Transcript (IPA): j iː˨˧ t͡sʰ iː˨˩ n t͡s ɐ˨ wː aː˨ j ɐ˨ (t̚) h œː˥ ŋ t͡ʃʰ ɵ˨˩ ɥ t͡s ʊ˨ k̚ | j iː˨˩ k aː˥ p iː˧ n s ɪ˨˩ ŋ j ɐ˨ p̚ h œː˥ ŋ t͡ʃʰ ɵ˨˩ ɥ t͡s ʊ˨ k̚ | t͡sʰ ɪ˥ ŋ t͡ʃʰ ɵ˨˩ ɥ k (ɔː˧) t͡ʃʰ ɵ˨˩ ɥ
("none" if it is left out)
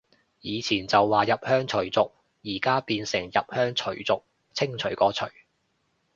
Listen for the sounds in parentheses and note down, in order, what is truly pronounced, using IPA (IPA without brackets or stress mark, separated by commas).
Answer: p̚, ɔː˨˥